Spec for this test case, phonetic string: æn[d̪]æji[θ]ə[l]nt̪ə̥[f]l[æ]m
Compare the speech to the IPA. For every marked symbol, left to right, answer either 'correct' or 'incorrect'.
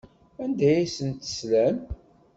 correct, incorrect: s, incorrect: none, incorrect: s, correct

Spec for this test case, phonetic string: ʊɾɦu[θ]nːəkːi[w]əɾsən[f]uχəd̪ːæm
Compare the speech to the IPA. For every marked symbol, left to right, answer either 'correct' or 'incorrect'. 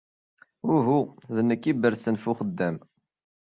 incorrect: ð, incorrect: b, correct

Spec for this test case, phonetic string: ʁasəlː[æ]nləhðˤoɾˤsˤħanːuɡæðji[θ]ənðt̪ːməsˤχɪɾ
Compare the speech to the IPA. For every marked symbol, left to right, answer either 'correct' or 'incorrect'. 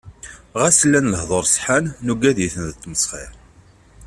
correct, correct

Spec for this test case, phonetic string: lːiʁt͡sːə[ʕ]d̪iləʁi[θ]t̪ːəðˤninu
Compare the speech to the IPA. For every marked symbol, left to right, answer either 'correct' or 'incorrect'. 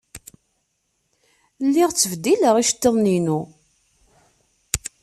incorrect: v, incorrect: ʃ

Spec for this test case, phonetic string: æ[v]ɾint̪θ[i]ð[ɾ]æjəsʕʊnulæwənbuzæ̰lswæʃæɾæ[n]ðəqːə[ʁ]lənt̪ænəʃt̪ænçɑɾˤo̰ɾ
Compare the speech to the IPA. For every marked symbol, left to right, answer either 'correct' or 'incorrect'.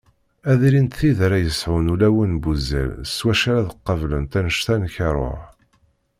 incorrect: ð, correct, correct, incorrect: none, incorrect: v

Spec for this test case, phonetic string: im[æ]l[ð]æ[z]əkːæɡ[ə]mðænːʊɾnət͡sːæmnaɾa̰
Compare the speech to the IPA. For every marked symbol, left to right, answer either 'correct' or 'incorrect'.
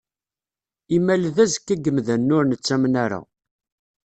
correct, correct, correct, correct

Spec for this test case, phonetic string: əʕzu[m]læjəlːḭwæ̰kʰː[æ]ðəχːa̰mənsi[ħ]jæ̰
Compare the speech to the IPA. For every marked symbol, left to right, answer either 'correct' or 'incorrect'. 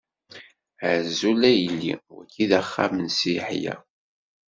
incorrect: none, incorrect: i, correct

